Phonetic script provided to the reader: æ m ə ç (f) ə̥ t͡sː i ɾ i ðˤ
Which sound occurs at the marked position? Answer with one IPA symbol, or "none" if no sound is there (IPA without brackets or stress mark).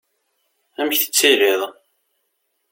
θ